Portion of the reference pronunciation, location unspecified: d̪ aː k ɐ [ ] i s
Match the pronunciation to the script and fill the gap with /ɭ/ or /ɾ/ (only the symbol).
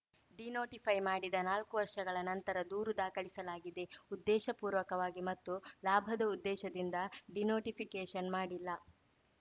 ɭ